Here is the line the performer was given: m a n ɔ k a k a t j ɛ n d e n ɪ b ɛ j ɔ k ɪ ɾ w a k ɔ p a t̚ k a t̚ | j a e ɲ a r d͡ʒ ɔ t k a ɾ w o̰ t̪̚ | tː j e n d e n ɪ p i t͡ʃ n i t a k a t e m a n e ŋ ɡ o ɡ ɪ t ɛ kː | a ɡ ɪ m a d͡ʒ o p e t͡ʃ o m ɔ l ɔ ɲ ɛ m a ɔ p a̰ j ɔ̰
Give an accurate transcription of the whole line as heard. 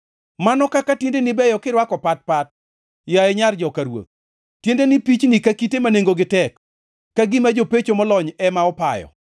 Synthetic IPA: m a n ɔ k a k a t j e n d e n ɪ b ɛ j ɔ k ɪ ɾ w a k ɔ p a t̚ p a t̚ | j a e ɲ a r d͡ʒ ɔ k a ɾ w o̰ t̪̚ | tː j e n d e n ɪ p i t͡ʃ n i k a k i t e m a n e ŋ ɡ o ɡ ɪ t ɛ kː | a ɡ ɪ m a d͡ʒ o p e t͡ʃ o m ɔ l ɔ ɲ ɛ m a ɔ p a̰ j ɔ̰